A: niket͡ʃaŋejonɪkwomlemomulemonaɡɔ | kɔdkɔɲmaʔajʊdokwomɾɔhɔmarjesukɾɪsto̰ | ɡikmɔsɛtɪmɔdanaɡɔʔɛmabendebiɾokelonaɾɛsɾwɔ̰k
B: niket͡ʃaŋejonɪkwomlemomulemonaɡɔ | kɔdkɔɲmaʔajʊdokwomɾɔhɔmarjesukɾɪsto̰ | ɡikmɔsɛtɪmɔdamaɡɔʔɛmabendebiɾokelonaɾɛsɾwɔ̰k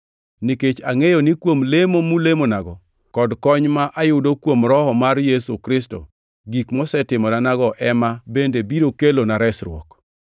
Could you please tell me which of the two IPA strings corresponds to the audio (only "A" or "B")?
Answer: A